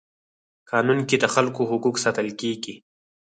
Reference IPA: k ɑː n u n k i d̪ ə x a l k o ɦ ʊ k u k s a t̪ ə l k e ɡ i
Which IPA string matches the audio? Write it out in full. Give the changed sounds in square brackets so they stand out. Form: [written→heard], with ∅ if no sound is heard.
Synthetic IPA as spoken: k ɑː n u n k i d̪ ə x a l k o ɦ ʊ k u k s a t̪ ə l k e ɡ i